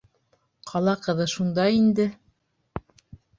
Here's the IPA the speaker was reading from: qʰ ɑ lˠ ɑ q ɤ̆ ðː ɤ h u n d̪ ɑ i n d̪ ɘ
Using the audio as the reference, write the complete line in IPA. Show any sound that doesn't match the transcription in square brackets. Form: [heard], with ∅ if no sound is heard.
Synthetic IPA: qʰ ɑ lˠ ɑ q ɤ̆ [ð] ɤ [ʃ] u n d̪ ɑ i n d̪ ɘ